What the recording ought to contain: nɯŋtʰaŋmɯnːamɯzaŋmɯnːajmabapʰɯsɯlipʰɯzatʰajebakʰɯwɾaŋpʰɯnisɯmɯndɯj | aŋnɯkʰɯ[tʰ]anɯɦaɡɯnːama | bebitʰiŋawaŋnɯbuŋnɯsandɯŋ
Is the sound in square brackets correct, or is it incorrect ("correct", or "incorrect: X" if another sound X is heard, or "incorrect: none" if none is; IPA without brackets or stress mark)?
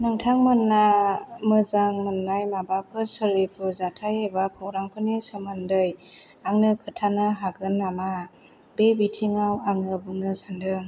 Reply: correct